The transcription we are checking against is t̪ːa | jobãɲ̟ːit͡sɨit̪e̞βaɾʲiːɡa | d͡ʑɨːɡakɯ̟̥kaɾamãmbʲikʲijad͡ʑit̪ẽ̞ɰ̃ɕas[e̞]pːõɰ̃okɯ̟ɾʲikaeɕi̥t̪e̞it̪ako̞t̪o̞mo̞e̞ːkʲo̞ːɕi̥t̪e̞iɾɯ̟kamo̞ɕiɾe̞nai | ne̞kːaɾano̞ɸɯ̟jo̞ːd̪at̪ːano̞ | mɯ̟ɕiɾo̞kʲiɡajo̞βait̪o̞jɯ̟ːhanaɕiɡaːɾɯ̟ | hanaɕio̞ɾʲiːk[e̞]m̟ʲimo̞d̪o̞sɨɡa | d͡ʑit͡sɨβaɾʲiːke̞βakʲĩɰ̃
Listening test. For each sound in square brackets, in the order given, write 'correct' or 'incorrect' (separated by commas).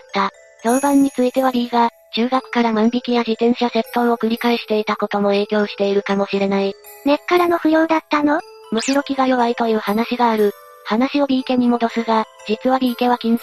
correct, correct